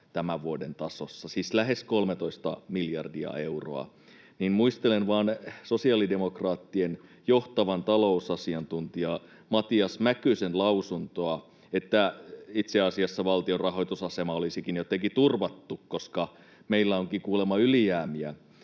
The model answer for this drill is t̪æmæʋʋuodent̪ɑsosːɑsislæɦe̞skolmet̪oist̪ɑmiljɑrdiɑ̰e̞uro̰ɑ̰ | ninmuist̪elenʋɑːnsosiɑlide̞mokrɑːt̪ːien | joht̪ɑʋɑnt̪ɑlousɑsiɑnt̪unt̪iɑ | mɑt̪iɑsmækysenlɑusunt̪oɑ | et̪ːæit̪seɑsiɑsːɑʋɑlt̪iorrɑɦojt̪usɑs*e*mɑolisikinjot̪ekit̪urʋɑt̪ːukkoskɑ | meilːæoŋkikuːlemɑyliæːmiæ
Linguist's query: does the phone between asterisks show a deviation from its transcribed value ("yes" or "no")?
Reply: no